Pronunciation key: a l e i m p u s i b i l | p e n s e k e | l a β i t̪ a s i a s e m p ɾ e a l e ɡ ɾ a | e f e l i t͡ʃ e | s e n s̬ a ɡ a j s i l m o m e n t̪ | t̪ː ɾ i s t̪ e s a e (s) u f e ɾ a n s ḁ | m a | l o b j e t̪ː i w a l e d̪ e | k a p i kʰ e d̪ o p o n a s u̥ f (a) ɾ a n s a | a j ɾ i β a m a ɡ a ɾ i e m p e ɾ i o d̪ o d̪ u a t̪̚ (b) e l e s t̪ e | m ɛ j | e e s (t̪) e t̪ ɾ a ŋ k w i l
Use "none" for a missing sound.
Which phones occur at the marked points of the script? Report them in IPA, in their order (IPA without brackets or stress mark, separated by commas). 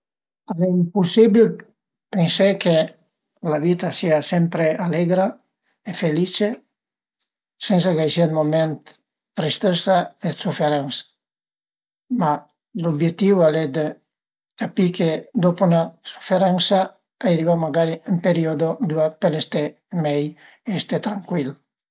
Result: s, e, p, t̪